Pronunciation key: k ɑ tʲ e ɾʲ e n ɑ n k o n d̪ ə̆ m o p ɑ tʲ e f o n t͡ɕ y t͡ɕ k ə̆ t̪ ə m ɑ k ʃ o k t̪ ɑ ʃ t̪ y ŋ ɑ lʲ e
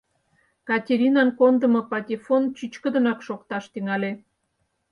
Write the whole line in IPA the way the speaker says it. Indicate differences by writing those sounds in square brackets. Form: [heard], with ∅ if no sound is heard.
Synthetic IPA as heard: k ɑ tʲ e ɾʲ [i] n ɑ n k o n d̪ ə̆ m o p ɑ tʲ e f o n t͡ɕ y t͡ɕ k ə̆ [d̪] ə [n] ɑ k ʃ o k t̪ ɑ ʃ t̪ y ŋ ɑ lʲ e